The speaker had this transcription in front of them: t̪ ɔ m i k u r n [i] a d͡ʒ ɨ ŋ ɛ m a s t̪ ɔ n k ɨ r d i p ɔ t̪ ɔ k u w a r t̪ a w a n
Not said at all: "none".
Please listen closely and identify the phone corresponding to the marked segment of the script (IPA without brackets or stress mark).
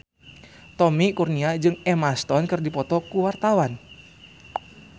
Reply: i